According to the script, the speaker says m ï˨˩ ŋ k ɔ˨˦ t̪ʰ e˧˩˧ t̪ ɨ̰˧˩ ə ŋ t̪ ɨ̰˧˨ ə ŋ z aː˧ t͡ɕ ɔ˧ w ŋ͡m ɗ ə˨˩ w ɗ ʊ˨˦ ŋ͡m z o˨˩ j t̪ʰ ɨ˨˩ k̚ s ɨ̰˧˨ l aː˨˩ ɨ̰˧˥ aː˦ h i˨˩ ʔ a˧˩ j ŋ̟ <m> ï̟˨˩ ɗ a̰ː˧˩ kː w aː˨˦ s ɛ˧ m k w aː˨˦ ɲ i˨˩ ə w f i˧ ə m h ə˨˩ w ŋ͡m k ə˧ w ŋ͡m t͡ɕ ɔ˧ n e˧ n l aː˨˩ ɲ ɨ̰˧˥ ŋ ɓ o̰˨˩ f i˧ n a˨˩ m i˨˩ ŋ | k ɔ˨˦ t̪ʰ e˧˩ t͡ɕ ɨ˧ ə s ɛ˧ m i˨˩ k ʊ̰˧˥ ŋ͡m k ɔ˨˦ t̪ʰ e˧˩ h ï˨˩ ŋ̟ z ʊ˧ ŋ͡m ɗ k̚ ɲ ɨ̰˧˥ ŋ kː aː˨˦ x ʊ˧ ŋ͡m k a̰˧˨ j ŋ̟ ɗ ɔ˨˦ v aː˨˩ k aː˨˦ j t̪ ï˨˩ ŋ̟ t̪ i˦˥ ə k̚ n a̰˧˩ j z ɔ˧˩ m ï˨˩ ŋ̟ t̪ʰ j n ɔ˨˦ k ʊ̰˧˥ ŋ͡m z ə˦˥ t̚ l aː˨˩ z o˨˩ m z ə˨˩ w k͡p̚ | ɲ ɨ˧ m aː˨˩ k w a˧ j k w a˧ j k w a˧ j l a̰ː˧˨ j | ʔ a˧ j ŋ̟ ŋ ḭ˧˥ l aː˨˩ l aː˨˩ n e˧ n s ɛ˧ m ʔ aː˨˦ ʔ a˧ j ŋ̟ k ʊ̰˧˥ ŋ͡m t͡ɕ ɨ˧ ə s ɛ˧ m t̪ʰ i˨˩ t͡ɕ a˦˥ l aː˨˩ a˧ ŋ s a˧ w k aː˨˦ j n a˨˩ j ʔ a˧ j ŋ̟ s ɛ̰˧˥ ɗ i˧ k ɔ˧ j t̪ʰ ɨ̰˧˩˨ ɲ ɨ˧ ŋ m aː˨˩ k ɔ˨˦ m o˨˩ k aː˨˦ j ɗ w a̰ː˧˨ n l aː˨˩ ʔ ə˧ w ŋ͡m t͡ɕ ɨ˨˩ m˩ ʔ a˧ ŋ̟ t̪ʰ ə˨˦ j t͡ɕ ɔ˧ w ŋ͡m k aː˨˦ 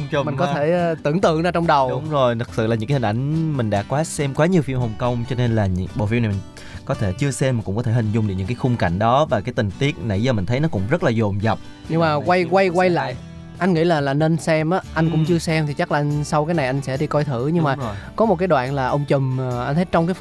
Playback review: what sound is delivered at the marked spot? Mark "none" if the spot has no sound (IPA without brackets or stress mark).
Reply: m